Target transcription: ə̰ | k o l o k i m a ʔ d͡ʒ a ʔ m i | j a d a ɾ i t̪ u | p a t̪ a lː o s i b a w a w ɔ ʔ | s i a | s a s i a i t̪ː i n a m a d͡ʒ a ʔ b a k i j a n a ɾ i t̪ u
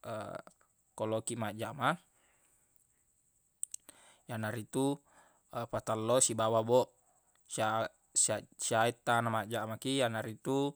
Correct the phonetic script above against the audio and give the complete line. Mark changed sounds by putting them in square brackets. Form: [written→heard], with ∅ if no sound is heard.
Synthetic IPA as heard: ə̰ | k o l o k i m a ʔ d͡ʒ a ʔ m [i→a] | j a [d→n] a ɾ i t̪ u | p a t̪ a lː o s i b a w a [w→b] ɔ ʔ | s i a | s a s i a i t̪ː [i→a] n a m a d͡ʒ a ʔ [b→m] a k i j a n a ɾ i t̪ u